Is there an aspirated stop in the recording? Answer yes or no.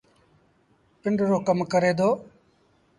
no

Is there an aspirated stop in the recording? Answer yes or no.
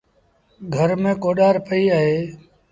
no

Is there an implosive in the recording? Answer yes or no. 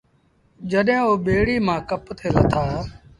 yes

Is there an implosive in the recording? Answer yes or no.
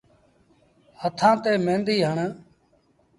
no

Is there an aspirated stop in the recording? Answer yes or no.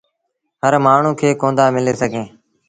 yes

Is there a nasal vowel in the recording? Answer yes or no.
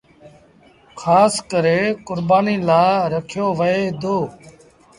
no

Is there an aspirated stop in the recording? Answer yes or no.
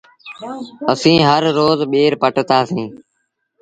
no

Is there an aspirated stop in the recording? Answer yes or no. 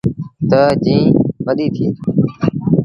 yes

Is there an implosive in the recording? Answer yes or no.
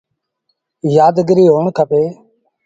no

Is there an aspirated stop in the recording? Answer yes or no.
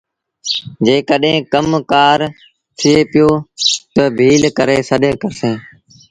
yes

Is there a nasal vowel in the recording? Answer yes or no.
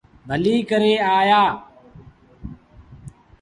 no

